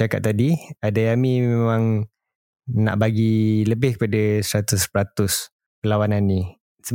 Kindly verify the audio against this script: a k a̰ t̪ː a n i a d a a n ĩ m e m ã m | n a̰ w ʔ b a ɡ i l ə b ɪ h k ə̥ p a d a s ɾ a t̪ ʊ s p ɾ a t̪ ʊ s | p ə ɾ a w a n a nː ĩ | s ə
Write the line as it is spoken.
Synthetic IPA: a k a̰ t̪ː a d i a d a a m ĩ m e m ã ŋ | n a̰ ʔ b a ɡ i l ə b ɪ h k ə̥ p a d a s ɾ a t̪ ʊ s p ɾ a t̪ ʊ s | p ə l a w a n a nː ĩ | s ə